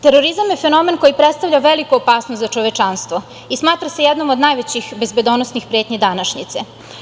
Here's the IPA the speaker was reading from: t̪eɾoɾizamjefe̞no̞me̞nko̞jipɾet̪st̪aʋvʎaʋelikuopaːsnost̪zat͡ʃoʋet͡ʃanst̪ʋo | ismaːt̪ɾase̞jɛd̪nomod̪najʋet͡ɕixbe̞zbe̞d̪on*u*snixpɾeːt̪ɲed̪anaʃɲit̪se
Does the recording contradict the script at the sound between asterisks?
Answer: yes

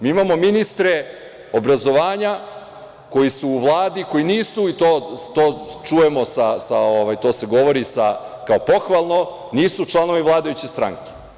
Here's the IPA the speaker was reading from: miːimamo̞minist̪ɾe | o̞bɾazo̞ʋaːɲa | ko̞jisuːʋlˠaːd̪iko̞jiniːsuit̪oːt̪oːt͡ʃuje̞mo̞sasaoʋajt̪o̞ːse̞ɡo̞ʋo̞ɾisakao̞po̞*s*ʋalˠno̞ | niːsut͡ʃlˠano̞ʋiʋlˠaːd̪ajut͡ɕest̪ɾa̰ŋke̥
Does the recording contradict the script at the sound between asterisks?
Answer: yes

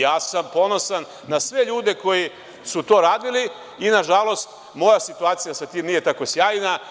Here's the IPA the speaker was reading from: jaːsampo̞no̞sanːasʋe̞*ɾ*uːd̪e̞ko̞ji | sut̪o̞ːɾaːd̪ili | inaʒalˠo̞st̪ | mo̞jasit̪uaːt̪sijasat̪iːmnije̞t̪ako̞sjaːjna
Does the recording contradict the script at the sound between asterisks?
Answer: yes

